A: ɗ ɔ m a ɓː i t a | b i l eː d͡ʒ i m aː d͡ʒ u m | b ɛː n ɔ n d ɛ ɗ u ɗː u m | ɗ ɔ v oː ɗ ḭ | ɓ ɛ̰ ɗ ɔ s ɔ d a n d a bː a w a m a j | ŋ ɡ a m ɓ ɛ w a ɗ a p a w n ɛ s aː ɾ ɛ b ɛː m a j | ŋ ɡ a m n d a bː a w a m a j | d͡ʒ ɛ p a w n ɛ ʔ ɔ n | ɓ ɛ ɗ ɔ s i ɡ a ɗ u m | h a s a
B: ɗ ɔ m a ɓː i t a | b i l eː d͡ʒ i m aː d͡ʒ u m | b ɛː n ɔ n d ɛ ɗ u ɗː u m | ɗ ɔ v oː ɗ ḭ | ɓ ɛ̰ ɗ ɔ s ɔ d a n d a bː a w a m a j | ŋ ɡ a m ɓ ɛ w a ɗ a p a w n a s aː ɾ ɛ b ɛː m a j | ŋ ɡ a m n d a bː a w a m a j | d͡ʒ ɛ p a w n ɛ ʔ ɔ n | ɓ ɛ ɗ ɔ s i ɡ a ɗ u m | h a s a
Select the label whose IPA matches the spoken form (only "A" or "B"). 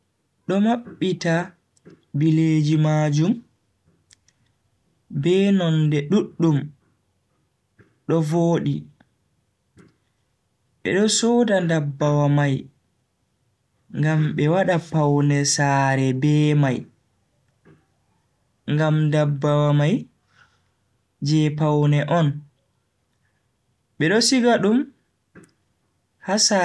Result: A